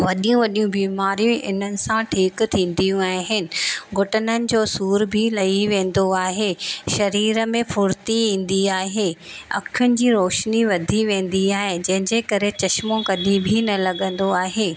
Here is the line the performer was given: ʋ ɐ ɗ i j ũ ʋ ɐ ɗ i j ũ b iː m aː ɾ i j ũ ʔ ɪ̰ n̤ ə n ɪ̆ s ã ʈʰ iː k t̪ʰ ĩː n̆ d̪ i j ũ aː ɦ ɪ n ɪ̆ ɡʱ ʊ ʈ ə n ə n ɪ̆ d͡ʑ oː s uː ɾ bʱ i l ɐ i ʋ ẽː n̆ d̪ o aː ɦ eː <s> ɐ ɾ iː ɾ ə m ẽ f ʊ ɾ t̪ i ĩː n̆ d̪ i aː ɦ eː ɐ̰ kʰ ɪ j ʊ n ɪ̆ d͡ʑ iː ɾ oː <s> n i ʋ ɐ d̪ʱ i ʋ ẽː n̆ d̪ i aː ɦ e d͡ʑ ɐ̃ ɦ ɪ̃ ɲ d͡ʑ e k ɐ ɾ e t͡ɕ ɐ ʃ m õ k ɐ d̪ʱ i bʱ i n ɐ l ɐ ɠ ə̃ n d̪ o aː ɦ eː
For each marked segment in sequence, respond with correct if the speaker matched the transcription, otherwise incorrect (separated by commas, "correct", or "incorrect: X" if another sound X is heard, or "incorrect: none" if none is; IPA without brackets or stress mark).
incorrect: ʃ, incorrect: ʃ